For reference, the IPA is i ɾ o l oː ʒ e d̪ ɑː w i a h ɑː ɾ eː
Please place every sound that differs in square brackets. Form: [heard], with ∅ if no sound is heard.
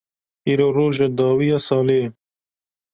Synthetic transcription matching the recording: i ɾ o [ɾ] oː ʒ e d̪ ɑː w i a [s] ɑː [l] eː